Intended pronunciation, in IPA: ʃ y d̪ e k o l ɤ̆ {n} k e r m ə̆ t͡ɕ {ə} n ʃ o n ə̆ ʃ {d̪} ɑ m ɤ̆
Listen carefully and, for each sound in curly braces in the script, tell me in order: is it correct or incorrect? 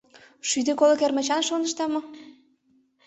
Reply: incorrect: none, incorrect: ɑ, incorrect: t̪

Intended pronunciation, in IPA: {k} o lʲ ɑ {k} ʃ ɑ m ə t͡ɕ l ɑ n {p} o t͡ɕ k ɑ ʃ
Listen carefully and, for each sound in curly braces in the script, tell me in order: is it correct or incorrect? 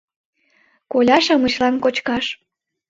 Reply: correct, incorrect: none, incorrect: k

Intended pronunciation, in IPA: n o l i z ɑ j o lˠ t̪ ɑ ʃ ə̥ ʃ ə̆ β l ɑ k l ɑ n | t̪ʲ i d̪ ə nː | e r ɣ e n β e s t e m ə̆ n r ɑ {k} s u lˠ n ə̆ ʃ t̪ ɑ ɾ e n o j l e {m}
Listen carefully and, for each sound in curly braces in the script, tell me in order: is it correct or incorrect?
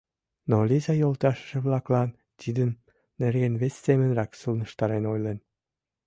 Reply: correct, incorrect: n

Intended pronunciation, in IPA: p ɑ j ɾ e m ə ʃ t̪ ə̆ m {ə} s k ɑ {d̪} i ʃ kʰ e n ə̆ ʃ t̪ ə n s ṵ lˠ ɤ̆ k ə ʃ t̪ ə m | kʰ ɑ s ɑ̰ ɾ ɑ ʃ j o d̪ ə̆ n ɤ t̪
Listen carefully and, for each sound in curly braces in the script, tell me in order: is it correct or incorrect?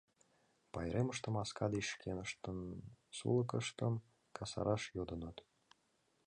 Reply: incorrect: ɑ, correct

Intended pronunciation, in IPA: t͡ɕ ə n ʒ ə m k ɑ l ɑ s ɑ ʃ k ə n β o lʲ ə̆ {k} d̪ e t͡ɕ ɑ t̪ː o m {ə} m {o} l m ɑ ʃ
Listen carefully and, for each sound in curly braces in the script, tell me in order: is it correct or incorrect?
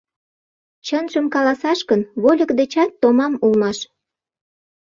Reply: correct, incorrect: ɑ, incorrect: u

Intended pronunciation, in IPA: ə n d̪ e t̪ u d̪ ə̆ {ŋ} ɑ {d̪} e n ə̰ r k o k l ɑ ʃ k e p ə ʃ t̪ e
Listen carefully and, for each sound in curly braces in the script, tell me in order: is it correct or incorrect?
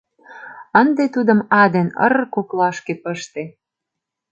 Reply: incorrect: m, correct

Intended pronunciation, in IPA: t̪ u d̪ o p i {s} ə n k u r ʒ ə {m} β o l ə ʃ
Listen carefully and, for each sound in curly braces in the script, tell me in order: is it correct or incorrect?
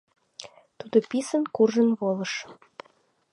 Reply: correct, incorrect: n

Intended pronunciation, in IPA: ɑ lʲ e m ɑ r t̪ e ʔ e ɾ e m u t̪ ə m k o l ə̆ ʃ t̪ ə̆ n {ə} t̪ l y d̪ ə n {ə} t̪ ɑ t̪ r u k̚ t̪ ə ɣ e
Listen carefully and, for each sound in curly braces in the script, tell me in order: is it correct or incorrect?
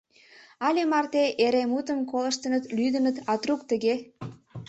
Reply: correct, correct

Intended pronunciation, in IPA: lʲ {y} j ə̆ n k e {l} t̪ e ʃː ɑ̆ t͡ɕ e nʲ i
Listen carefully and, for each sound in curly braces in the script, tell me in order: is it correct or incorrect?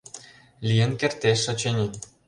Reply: incorrect: i, incorrect: r

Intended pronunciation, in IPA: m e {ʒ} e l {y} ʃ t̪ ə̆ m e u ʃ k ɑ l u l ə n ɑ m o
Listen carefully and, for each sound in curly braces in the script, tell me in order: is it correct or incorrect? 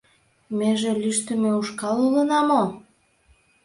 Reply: correct, correct

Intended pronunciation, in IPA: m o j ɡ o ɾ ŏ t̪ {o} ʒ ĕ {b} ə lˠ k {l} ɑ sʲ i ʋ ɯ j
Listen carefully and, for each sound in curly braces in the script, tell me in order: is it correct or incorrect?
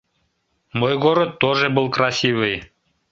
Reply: correct, correct, incorrect: r

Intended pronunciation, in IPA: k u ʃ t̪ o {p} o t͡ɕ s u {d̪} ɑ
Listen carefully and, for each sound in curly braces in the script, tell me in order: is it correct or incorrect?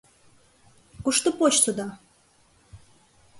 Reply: correct, correct

